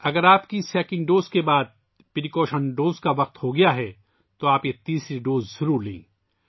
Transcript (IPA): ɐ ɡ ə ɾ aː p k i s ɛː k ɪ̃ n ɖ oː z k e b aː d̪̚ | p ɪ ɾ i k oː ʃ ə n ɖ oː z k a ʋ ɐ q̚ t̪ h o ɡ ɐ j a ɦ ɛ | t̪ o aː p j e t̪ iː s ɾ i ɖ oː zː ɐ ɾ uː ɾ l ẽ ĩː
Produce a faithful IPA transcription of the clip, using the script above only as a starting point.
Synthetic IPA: ɐ ɡ ə ɾ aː p k i s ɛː k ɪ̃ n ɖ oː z k e b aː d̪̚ | p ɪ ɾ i k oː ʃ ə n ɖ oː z k a ʋ ɐ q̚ t̪ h o ɡ ɐ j a ɦ ɛ | t̪ o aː p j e t̪ iː s ɾ i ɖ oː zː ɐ ɾ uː ɾ l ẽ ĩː